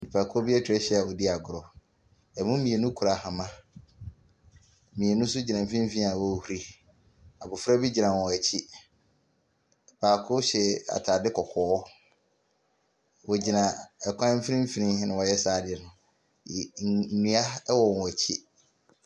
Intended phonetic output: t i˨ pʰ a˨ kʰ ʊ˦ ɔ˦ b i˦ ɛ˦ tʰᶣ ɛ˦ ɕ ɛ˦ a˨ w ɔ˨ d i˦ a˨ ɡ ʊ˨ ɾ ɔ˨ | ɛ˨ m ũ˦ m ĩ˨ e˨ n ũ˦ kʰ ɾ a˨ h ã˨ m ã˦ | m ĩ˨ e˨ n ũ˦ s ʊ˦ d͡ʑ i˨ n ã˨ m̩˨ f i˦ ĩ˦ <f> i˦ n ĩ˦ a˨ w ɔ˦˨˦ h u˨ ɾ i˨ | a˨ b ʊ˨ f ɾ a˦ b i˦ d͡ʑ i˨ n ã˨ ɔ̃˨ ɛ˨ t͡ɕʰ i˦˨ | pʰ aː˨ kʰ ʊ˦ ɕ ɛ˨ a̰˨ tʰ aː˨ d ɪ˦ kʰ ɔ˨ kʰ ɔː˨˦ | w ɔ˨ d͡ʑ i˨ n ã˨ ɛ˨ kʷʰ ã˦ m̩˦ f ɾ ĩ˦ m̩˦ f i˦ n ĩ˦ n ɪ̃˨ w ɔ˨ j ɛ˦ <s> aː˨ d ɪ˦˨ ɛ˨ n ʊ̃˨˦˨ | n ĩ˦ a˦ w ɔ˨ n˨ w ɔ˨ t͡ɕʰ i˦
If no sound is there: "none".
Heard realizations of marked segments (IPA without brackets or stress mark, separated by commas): f, s